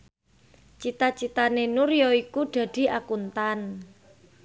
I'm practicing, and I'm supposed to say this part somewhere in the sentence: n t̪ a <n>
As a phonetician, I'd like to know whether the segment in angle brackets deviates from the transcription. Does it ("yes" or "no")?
no